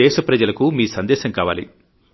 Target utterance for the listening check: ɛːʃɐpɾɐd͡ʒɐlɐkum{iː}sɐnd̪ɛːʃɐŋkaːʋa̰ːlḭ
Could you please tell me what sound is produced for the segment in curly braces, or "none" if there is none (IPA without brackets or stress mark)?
iː